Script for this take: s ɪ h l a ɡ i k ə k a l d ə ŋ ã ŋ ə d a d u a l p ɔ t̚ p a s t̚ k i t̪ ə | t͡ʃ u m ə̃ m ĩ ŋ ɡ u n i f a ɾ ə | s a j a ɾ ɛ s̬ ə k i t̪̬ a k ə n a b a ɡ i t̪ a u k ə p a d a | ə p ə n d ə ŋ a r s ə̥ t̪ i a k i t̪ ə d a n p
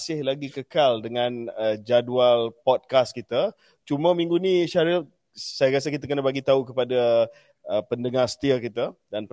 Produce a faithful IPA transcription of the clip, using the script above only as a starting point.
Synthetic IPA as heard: s ɪ h l a ɡ i k ə k a l d ə ŋ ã n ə d͡ʒ a d u a l p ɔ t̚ k a s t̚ k i t̪ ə | t͡ʃ u m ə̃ m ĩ ŋ ɡ u n i ʃ a ɾ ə | s a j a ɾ a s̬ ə k i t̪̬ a k ə n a b a ɡ i t̪ a u k ə p a d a | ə p ə n d ə ŋ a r s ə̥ t̪ i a k i t̪ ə d a n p